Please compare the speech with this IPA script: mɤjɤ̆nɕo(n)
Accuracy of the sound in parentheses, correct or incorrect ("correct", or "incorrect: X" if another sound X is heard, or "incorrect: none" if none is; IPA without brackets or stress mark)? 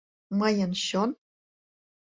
correct